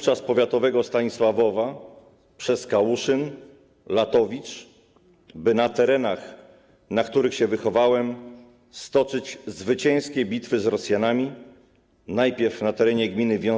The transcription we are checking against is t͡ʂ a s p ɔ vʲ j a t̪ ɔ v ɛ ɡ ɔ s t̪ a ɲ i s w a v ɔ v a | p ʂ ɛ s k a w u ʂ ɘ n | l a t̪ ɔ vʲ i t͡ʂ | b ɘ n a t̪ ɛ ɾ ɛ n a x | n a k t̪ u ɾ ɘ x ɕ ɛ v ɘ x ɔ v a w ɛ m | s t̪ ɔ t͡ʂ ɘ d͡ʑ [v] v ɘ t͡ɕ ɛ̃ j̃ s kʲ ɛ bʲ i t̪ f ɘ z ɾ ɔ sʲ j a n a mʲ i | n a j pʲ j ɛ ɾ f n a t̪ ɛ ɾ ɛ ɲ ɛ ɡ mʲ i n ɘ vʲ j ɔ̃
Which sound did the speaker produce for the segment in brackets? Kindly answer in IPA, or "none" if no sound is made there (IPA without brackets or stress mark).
z